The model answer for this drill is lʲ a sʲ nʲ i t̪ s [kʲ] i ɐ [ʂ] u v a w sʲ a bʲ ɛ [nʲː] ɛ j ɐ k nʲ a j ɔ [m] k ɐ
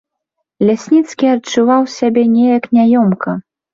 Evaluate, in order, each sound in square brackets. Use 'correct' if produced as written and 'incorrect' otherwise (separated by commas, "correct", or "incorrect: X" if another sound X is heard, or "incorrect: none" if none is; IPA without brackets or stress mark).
correct, incorrect: t͡ʂ, incorrect: nʲ, correct